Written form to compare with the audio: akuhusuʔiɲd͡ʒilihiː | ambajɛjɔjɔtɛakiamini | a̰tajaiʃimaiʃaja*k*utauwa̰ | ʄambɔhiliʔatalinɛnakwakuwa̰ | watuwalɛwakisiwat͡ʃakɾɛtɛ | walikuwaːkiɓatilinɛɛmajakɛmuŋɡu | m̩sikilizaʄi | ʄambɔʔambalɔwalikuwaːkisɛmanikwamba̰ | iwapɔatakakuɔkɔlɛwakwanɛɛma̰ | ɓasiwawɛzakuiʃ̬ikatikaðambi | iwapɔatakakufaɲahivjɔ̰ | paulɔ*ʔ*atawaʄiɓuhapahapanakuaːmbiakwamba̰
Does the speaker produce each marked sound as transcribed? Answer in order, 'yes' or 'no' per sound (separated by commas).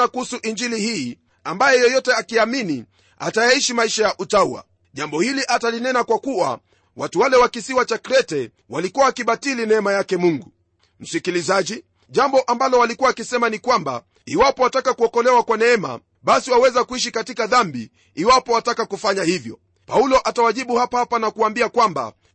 no, yes